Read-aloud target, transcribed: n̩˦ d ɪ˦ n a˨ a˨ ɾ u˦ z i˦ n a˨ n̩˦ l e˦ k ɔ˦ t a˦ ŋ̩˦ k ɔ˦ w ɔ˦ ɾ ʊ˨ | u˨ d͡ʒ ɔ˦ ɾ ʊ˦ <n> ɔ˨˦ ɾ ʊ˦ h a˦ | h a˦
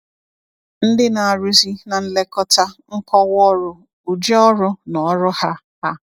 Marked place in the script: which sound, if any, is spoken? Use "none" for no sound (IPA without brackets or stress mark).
n